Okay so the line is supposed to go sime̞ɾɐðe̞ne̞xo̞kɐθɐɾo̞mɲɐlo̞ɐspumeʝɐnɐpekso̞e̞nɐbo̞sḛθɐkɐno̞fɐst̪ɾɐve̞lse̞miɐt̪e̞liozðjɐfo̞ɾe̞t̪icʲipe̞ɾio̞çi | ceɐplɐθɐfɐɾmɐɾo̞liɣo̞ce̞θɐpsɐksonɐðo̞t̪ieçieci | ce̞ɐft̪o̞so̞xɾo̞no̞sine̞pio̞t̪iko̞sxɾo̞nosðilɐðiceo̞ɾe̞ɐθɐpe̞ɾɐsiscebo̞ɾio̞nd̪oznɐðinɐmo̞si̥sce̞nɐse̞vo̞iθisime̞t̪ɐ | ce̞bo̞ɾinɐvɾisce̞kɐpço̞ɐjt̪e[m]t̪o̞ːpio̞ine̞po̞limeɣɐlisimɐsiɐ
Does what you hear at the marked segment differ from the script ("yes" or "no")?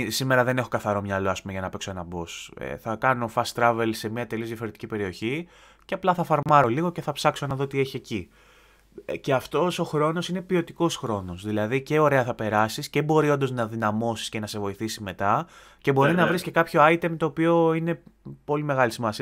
no